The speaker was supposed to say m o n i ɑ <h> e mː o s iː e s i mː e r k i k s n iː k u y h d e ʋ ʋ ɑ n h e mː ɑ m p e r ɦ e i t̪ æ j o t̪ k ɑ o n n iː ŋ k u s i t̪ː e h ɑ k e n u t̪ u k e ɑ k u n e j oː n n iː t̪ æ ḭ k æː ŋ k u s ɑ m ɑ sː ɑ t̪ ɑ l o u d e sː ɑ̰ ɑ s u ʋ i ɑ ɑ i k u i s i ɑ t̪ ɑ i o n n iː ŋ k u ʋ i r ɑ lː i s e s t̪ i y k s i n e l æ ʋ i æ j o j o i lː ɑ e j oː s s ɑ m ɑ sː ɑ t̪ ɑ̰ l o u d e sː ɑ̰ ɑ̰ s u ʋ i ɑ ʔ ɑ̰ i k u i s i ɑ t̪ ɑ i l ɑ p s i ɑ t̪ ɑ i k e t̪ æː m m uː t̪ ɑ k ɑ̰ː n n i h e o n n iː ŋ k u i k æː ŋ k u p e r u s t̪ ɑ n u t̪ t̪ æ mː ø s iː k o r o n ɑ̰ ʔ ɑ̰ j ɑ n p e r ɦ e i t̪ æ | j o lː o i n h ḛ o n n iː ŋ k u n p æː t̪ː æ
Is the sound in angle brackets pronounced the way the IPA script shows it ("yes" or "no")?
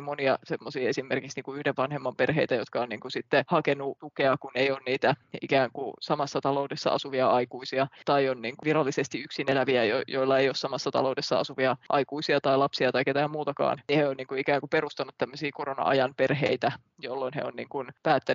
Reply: no